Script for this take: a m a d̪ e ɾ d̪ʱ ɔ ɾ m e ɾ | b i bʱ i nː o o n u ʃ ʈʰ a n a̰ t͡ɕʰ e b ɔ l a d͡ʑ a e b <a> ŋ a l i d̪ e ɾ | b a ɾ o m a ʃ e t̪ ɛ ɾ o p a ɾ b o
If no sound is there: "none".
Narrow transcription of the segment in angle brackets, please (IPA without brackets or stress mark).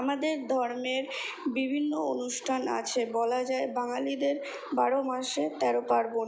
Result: a